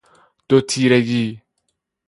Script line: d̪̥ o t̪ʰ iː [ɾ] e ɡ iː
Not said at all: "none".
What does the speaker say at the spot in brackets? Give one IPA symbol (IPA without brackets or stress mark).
ɾ